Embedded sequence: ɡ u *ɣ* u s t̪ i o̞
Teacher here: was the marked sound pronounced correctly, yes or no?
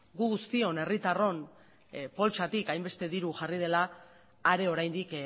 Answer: yes